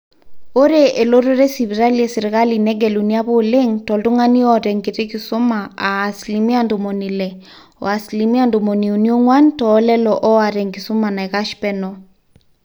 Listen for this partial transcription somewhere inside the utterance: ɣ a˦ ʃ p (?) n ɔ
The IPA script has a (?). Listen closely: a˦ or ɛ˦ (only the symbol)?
ɛ˦